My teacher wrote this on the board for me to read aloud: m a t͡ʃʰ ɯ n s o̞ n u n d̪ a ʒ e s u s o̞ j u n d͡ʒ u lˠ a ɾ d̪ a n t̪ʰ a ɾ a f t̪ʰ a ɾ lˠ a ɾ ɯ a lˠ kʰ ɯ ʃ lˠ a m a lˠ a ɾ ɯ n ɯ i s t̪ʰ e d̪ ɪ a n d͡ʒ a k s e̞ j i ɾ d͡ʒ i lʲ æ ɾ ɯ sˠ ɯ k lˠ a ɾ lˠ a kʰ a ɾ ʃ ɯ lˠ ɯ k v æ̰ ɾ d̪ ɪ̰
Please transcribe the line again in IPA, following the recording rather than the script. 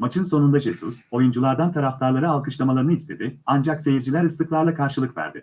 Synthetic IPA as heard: m a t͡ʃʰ ɯ n s o̞ n u n d̪ a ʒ e s u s o̞ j u n d͡ʒ u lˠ a ɾ d̪ a n t̪ʰ a ɾ a f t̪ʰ a ɾ lˠ a ɾ ɯ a lˠ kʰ ɯ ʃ lˠ a m a lˠ a ɾ ɯ n ɯ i s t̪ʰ e d̪ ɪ a n d͡ʒ a k s e̞ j i ɾ d͡ʒ i lʲ æ ɾ ɯ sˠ ɯ k lˠ a ɾ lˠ a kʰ a ɾ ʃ ɯ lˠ ɯ k v æ̰ ɾ d̪ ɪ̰